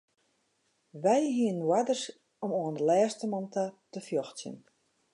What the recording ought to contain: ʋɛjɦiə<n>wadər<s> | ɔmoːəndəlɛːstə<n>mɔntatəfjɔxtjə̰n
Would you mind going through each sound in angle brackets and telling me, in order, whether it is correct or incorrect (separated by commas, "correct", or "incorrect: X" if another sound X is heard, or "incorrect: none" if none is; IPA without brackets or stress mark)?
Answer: correct, correct, incorrect: none